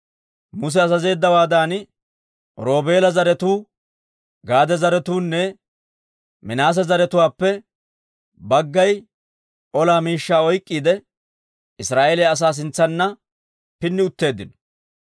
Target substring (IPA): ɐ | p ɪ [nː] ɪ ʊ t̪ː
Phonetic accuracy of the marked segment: correct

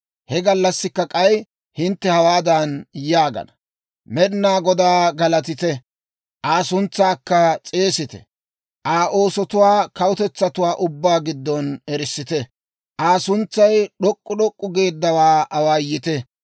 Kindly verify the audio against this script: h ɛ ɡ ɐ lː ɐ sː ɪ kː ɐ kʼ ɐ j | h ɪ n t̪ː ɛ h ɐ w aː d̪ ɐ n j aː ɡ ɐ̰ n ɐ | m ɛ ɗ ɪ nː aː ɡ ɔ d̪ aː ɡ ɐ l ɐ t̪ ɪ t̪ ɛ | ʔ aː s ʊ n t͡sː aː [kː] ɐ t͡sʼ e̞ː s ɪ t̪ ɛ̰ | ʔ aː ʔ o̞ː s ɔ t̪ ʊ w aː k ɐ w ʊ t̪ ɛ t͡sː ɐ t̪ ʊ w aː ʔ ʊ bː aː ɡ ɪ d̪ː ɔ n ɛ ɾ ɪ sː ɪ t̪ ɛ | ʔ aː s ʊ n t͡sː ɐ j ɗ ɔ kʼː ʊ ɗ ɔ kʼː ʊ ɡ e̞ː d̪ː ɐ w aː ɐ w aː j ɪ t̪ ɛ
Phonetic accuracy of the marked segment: correct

